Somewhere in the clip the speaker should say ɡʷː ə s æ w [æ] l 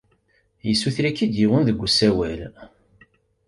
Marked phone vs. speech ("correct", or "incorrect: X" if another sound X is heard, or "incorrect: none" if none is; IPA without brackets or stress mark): correct